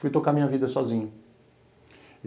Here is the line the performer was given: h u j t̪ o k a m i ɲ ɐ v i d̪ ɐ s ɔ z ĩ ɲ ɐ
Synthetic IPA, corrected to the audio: f u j t̪ o k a m ĩ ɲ ɐ v i d̪ ɐ s ɔ z ĩ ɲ ɐ